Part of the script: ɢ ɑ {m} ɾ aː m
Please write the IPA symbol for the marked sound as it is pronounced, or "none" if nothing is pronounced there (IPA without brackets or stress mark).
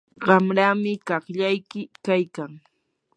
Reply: m